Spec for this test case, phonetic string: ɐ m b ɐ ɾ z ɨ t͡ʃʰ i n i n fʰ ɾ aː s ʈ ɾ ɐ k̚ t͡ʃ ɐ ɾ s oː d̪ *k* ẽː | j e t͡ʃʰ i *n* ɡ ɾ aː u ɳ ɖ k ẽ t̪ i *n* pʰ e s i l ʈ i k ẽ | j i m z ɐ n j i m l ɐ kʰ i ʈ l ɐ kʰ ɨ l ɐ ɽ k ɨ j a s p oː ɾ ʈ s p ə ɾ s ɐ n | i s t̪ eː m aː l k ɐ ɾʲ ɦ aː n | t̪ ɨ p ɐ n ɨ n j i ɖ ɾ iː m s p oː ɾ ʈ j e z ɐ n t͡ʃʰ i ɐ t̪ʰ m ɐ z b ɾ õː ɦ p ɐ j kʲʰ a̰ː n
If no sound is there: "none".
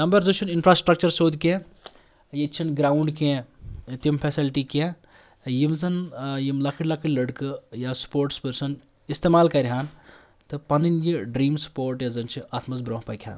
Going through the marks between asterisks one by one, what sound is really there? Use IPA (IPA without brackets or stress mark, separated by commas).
k, n, m